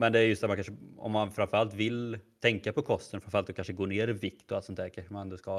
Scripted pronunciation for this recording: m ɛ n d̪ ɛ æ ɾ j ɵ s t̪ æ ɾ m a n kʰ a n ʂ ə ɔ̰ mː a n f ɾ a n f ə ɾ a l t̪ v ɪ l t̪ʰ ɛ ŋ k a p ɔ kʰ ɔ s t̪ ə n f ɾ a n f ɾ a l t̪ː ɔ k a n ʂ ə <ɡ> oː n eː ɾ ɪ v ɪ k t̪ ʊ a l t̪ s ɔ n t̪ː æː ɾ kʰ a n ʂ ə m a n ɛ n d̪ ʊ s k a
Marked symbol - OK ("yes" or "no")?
yes